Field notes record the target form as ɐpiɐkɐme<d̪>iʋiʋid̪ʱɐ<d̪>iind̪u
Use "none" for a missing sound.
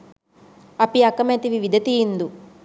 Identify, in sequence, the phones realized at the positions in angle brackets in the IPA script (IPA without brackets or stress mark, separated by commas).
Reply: t̪, t̪